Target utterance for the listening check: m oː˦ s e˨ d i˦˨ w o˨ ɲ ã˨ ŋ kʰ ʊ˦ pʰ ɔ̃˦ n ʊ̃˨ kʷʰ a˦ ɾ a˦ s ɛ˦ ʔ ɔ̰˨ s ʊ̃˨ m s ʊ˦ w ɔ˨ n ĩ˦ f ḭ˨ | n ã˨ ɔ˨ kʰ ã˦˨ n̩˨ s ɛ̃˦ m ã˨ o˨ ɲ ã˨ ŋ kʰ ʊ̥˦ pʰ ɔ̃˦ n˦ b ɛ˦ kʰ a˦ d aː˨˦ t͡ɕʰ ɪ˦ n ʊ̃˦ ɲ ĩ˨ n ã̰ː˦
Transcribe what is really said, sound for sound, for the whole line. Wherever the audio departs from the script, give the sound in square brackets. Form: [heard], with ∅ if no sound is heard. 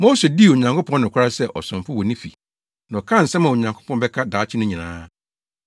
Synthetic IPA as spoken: m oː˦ s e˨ d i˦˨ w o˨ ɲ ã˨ ŋ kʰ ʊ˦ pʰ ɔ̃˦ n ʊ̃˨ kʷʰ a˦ ɾ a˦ s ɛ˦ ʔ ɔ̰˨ s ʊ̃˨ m [f] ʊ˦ w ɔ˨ n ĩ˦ f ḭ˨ | n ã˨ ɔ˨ kʰ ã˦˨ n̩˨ s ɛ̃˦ m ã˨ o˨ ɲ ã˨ ŋ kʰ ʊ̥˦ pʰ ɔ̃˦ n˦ b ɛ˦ kʰ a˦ d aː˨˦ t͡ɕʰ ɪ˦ n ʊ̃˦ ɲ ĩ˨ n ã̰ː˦